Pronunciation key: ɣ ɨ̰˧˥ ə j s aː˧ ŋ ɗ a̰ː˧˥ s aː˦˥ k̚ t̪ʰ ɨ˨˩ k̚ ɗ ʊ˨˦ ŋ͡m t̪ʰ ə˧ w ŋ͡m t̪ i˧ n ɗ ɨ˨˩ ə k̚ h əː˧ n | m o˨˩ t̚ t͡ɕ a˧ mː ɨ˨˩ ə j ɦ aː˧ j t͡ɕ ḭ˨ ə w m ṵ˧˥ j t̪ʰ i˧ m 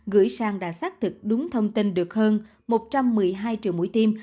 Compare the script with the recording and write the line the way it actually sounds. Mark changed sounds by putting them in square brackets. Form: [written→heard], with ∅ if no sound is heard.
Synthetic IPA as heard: ɣ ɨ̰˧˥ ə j s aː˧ ŋ ɗ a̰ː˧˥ s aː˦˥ k̚ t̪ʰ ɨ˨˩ k̚ ɗ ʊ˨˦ ŋ͡m t̪ʰ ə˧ w ŋ͡m t̪ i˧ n ɗ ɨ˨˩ ə k̚ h əː˧ n | m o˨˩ t̚ t͡ɕ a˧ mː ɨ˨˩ ə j ɦ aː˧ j t͡ɕ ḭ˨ ə w m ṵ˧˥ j [t̪ʰ→t̪] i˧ m